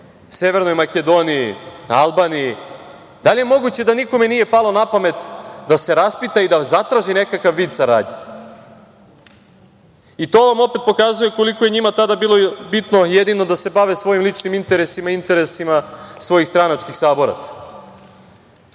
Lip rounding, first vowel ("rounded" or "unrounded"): unrounded